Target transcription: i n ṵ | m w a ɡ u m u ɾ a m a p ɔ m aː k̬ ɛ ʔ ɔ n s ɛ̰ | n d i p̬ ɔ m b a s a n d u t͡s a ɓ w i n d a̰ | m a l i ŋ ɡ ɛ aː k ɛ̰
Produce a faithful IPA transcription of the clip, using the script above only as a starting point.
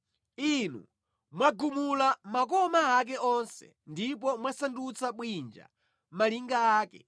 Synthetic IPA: i n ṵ | m w a ɡ u m u l a m a k ɔ m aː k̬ ɛ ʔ ɔ n s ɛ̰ | n d i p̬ ɔ m w a s a n d u t͡s a ɓ w i n d͡ʒ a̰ | m a l i ŋ ɡ a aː k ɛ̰